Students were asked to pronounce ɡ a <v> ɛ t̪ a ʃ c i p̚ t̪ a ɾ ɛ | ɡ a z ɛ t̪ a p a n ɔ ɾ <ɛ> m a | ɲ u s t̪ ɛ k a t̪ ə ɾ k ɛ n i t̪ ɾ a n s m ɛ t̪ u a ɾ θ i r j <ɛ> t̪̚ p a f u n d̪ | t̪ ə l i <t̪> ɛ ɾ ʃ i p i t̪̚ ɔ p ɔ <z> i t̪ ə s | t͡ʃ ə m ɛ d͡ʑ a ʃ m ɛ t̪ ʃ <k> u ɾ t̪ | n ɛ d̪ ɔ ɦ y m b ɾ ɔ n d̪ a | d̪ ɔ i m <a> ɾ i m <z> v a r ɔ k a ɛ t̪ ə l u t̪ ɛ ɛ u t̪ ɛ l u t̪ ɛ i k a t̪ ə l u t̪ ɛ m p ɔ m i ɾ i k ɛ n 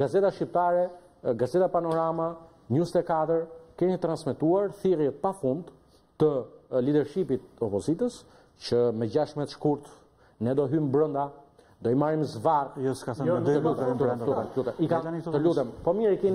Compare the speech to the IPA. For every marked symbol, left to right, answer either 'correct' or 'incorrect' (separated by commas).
incorrect, incorrect, correct, incorrect, correct, correct, correct, correct